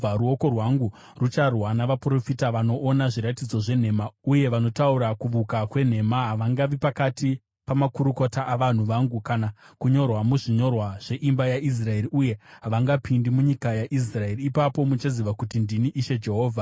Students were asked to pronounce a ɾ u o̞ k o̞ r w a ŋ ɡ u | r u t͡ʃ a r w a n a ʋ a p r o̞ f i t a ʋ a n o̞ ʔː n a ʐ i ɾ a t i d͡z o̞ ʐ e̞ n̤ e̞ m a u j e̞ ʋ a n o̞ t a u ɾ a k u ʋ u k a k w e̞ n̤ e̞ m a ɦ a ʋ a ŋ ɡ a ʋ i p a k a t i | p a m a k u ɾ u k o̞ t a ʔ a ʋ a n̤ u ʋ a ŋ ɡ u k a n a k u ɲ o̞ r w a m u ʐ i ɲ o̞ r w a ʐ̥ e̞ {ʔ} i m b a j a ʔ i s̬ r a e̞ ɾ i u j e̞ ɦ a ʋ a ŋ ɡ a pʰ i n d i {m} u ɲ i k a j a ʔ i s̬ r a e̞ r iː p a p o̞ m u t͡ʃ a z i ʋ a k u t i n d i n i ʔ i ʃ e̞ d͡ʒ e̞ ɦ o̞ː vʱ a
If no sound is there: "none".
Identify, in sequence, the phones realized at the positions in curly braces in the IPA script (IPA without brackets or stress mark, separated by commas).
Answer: ʔ, m